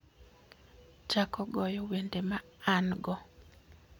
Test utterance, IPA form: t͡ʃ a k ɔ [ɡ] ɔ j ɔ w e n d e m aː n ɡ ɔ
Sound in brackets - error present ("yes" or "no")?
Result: no